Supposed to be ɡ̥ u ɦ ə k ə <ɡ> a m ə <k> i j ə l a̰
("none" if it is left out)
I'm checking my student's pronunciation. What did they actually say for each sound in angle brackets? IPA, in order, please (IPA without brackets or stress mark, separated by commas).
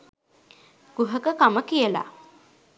k, k